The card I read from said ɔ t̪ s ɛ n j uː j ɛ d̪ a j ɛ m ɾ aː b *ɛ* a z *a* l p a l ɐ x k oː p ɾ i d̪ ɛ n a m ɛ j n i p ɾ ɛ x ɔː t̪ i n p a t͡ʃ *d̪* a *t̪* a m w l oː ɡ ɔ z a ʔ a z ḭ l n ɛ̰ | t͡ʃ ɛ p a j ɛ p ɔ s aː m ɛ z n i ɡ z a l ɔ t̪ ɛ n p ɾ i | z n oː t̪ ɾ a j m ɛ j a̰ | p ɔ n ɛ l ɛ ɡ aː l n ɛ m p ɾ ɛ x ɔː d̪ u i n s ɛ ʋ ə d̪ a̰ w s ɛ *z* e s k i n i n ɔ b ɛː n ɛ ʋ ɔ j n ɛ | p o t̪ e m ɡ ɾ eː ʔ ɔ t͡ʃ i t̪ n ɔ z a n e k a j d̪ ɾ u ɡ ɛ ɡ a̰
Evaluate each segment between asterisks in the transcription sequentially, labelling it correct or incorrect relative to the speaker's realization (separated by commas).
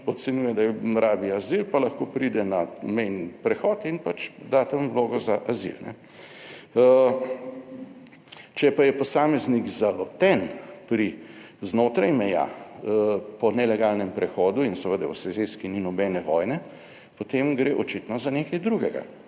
incorrect, incorrect, correct, correct, correct